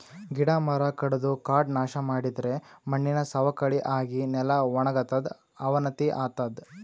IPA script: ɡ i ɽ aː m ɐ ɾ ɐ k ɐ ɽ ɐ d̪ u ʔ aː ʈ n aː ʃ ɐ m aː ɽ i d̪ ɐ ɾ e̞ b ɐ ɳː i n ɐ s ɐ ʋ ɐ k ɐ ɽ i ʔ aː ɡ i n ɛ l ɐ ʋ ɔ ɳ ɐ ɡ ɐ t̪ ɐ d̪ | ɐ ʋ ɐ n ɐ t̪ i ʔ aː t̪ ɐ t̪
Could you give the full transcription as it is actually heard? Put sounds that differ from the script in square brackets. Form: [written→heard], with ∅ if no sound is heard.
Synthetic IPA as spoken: ɡ i ɽ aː m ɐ ɾ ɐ k ɐ ɽ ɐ d̪ u [ʔ→k] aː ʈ n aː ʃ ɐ m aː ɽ i d̪ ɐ ɾ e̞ [b→m] ɐ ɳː i n ɐ s ɐ ʋ ɐ k ɐ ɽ i ʔ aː ɡ i n ɛ l ɐ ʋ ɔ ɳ ɐ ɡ ɐ t̪ ɐ d̪ | ɐ ʋ ɐ n ɐ t̪ i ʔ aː t̪ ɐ [t̪→d̪]